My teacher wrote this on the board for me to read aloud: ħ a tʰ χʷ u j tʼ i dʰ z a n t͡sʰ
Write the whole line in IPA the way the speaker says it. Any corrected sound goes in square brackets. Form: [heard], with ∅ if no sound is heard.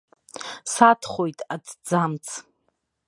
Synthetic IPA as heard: [s] a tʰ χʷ [o] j tʼ [a] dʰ [d͡z] a [m] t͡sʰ